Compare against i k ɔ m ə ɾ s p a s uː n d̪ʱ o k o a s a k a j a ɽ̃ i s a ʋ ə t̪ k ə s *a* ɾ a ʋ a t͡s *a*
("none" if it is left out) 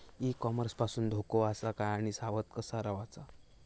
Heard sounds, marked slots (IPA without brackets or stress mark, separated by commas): a, a